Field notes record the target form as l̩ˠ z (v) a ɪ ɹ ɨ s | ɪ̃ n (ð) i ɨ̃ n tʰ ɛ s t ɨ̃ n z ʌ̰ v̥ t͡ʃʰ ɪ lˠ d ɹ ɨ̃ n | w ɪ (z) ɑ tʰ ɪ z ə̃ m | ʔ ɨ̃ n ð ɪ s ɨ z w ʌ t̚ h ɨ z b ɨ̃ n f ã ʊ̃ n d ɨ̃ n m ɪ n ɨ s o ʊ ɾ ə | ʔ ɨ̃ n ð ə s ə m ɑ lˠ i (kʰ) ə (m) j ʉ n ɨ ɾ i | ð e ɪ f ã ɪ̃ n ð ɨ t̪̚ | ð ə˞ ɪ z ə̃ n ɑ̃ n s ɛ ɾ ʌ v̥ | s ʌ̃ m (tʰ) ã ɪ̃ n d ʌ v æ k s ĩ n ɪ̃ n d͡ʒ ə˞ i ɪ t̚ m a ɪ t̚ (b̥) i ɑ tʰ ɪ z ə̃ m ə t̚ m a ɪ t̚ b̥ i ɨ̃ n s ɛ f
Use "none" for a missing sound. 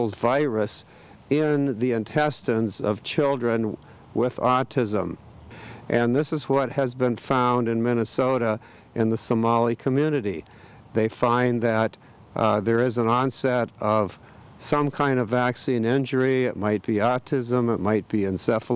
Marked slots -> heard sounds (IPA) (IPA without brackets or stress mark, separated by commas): v, ð, ð, kʰ, m, kʰ, b̥